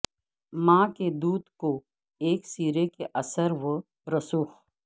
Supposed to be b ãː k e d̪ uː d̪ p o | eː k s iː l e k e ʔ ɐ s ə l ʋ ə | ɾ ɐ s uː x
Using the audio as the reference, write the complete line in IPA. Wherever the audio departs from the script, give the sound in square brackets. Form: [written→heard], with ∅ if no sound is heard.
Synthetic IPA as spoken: [b→m] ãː k e d̪ uː d̪ [p→k] o | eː k s iː [l→ɾ] e k e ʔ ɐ s ə [l→ɾ] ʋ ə | ɾ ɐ s uː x